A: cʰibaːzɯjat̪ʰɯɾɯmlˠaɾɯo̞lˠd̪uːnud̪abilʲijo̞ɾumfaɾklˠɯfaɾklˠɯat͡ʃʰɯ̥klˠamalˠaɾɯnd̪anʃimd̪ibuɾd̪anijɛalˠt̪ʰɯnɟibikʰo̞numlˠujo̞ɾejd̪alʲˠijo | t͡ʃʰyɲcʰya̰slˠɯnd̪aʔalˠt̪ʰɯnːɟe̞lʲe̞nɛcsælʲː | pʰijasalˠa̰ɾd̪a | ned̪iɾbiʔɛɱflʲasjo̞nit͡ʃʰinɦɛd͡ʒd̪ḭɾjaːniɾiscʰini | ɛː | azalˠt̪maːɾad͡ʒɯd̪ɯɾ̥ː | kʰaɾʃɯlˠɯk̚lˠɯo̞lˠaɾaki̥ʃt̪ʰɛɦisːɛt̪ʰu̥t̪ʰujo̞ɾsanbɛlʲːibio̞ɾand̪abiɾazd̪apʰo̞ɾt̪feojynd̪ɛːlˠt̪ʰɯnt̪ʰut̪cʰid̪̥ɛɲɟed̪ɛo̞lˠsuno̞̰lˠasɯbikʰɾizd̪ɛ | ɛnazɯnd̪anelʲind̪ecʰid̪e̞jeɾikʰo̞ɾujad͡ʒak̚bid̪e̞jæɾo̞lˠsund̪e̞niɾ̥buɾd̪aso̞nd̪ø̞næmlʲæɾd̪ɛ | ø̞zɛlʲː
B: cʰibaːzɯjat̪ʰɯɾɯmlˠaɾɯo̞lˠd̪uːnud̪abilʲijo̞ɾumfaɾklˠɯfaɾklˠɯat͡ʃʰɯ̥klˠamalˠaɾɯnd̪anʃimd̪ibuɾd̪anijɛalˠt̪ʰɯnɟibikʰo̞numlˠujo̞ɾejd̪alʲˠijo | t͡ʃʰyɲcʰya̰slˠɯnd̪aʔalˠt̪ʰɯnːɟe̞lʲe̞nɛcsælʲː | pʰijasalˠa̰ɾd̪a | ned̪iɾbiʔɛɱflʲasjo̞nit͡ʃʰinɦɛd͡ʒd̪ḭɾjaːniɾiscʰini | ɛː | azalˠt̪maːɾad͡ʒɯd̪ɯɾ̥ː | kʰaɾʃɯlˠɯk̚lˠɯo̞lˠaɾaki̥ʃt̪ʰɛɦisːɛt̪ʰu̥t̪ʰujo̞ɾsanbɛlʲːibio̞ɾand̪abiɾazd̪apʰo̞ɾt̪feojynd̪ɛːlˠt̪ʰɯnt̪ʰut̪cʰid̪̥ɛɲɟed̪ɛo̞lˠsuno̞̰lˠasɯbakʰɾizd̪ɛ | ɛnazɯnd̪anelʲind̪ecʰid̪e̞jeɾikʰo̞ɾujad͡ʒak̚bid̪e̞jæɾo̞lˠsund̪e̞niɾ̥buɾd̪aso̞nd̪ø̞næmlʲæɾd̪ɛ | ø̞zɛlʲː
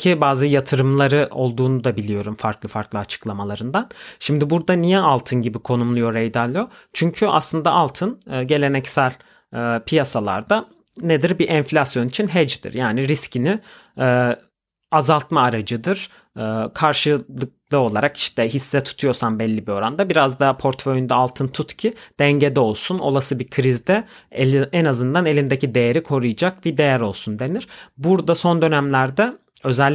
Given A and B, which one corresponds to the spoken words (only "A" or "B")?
A